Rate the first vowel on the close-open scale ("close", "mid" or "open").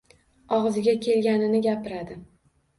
open